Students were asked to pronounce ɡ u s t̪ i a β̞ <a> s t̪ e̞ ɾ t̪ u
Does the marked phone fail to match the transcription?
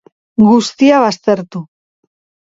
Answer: no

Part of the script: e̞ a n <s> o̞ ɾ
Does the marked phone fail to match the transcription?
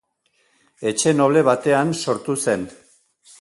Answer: no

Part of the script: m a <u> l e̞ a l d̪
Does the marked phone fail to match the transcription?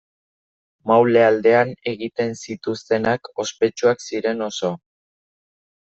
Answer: yes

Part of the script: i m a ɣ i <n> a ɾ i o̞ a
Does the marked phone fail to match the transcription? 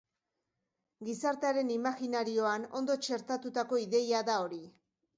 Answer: no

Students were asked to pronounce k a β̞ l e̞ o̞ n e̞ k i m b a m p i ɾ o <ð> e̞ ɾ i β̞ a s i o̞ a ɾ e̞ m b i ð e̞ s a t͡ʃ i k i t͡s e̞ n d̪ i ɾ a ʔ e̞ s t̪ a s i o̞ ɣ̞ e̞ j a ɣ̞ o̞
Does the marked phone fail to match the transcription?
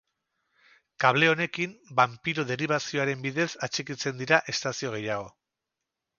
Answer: no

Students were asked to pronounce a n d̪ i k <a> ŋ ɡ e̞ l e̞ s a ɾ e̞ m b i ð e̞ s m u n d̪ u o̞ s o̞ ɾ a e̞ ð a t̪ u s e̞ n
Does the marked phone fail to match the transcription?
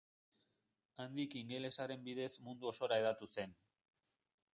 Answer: yes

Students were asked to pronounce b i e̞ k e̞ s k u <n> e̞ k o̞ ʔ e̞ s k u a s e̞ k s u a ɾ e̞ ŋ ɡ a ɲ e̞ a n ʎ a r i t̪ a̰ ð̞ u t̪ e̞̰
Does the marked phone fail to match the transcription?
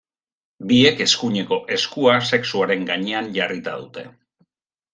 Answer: yes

